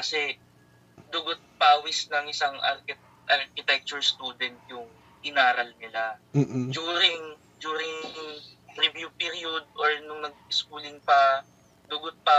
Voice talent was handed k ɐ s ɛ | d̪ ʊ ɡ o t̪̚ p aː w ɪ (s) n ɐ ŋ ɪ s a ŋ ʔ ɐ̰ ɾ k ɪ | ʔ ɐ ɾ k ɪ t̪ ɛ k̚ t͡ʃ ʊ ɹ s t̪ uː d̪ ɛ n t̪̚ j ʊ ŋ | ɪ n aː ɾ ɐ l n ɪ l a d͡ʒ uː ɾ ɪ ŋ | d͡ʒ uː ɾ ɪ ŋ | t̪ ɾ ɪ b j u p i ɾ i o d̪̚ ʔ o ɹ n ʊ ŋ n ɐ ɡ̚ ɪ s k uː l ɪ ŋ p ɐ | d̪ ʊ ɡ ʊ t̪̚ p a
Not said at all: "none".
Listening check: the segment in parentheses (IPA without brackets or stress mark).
s